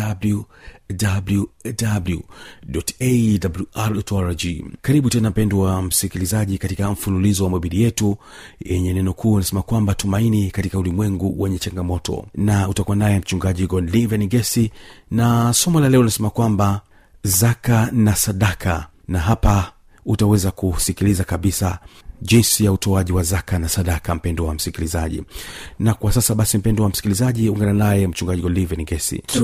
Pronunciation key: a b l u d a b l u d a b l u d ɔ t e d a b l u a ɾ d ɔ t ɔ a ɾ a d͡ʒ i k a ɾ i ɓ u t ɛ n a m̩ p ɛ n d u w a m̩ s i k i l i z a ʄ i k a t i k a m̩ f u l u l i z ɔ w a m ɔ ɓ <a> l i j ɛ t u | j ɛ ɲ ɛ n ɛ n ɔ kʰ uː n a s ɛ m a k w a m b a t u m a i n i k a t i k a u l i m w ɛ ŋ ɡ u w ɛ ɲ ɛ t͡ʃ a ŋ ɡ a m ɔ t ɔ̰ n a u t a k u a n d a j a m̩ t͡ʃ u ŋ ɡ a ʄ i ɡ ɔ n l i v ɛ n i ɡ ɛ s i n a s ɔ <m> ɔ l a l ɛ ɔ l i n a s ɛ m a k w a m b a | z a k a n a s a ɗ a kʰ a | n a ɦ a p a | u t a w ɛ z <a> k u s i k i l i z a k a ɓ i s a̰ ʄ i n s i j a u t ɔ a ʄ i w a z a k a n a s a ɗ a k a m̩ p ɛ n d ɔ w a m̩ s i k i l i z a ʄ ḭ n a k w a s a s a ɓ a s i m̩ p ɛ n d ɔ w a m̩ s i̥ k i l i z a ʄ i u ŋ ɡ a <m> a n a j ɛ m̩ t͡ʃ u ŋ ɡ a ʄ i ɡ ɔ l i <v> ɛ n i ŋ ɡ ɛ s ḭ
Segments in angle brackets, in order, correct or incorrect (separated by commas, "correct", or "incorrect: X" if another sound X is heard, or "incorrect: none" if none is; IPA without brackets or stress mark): incorrect: i, correct, correct, incorrect: n, correct